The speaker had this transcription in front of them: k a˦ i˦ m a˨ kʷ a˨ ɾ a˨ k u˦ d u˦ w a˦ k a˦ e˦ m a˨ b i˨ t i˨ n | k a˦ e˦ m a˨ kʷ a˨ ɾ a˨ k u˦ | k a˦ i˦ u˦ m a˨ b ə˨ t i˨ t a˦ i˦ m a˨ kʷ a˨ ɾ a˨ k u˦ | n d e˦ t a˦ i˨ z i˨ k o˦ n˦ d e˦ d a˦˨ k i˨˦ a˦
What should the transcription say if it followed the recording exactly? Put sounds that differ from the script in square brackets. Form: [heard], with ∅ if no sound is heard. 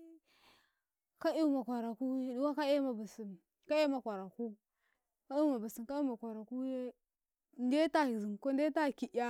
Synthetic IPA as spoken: k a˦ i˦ m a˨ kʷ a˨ ɾ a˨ k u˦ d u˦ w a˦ k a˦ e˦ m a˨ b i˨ [s] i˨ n | k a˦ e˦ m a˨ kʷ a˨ ɾ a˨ k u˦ | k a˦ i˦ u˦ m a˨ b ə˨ [s] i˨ [k] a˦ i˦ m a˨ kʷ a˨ ɾ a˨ k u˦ | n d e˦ t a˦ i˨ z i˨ k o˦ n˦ d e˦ [t] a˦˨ k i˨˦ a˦